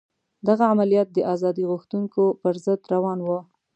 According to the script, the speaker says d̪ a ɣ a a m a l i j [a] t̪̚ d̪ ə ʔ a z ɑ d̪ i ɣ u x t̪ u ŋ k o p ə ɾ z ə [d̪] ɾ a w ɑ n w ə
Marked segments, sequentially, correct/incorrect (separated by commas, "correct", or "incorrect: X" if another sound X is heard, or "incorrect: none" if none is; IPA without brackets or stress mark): incorrect: ɑ, correct